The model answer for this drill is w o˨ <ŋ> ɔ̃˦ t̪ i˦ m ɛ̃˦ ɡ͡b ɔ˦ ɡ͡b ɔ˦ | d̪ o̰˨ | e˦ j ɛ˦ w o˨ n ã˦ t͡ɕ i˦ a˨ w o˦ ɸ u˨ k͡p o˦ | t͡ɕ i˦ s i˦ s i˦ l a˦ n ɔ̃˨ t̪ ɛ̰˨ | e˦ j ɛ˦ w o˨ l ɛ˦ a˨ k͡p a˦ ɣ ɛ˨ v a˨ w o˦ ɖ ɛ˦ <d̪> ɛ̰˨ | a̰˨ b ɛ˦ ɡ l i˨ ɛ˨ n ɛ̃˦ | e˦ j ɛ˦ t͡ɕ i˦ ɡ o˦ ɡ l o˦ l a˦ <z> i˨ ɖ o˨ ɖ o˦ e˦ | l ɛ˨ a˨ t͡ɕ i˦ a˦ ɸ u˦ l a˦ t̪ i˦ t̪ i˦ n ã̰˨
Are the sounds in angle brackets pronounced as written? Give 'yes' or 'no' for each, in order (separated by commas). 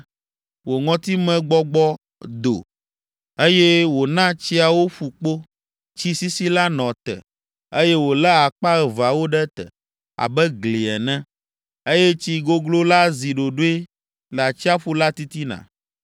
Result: yes, no, yes